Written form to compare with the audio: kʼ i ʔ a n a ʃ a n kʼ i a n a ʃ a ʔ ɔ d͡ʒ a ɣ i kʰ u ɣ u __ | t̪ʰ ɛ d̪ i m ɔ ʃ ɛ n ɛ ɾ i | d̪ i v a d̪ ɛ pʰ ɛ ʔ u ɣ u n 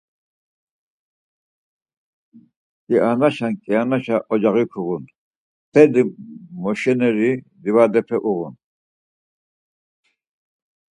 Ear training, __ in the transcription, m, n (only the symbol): n